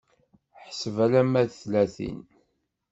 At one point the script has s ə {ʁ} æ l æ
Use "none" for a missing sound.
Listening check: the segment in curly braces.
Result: v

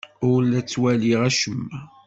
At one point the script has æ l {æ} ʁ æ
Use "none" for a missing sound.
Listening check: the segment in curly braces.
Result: i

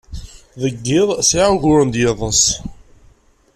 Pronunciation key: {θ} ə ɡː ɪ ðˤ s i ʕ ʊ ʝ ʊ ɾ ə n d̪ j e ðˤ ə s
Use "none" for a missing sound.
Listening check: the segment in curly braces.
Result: ð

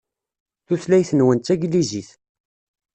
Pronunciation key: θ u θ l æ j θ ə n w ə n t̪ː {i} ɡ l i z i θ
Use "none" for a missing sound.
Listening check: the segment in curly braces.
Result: æ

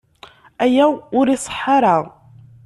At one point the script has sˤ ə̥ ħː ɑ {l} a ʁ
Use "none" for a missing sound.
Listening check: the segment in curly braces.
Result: ɾ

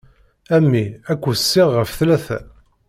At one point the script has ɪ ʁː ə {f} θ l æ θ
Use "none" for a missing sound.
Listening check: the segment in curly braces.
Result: f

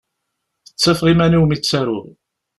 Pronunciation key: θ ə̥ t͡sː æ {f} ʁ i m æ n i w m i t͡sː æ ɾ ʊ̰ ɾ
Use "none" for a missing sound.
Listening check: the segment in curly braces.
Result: f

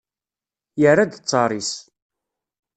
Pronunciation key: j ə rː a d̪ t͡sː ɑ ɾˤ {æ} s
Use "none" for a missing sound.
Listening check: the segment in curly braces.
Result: i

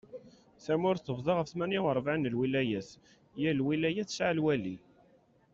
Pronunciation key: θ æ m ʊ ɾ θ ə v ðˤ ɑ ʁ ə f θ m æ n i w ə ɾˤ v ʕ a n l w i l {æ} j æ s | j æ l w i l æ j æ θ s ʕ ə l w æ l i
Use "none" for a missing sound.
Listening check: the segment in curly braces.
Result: æ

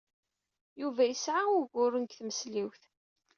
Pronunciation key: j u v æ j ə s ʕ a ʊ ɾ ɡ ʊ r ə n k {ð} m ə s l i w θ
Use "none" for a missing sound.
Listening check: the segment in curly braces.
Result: θ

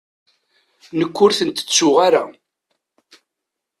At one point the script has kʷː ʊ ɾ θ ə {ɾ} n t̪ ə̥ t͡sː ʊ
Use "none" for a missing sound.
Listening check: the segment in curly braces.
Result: none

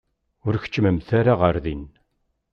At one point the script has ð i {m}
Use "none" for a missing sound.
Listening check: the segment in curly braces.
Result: n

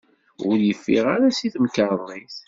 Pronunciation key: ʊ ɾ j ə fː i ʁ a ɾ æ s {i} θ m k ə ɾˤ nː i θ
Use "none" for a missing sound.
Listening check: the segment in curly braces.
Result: i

